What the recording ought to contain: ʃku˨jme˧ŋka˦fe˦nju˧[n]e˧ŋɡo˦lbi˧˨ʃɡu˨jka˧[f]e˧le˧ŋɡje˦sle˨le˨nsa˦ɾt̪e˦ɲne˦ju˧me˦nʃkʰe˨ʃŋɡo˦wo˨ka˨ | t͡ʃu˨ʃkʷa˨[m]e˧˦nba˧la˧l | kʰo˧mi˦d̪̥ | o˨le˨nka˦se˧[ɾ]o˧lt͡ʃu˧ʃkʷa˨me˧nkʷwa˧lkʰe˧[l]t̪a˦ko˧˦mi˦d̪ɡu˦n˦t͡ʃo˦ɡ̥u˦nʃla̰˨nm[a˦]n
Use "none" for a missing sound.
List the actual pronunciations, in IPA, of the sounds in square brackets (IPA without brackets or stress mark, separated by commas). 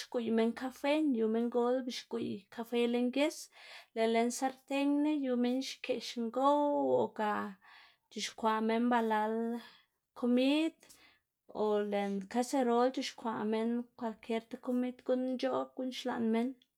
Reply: m, f, m, ɾ, ɾ, e˦